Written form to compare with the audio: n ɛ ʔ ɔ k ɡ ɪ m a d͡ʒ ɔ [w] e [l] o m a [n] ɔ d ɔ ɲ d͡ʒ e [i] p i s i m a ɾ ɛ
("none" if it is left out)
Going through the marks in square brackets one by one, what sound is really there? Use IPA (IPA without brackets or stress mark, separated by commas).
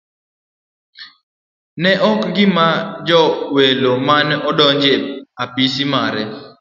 w, l, n, a